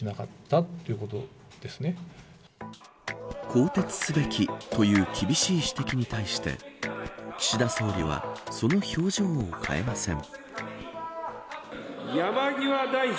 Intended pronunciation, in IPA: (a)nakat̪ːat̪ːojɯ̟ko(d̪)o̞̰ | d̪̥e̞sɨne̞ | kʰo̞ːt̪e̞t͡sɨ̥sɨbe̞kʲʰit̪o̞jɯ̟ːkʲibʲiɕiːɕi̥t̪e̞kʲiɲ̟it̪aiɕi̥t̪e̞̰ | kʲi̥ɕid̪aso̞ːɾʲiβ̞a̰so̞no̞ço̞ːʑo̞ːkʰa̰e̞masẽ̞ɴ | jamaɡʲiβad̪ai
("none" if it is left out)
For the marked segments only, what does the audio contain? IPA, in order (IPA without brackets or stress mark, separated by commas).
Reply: i, t̪